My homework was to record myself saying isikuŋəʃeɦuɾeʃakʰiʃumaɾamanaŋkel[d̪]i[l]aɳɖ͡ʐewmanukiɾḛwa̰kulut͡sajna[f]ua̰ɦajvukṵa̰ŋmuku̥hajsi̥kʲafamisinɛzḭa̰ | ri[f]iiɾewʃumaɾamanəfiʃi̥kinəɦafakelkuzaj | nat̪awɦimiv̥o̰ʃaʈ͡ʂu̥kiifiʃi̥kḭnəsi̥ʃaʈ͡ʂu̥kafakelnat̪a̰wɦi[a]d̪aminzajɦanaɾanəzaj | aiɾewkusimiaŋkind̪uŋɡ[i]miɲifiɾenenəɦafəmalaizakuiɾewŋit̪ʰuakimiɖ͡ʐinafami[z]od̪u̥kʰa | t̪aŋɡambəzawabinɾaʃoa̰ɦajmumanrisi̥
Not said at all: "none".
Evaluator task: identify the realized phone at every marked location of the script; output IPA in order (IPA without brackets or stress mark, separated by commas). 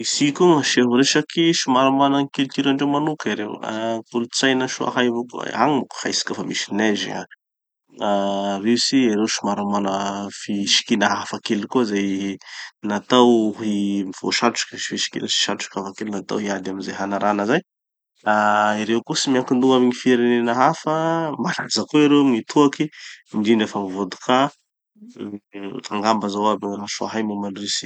t̪, ɾ, ʃ, s, a, a, v